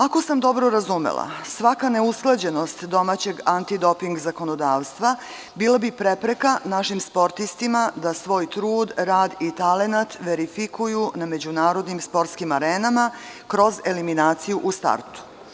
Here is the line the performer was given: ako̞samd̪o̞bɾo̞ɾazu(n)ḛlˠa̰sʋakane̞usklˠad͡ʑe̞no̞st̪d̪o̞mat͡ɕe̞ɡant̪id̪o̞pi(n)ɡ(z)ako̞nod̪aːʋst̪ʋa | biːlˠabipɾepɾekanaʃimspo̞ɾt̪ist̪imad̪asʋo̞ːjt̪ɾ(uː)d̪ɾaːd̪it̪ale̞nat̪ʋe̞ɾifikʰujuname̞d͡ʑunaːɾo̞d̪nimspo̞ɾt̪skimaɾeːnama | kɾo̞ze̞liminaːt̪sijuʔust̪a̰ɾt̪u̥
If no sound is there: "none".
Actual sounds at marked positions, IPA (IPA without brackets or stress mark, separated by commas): m, ŋ, z, uː